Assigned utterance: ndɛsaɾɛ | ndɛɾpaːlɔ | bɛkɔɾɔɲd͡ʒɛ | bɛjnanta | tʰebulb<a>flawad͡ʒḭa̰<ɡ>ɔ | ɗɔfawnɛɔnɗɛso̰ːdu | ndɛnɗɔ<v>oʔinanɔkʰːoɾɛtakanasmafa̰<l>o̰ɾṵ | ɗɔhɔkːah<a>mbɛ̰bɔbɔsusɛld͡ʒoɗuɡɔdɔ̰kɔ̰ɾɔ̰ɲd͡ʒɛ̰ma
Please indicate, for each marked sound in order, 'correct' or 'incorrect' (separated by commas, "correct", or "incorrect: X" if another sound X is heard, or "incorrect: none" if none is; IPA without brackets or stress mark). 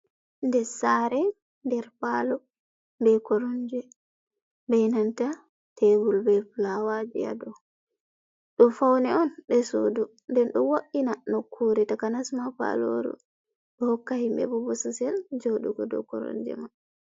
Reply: incorrect: ɛ, incorrect: d, incorrect: w, correct, incorrect: i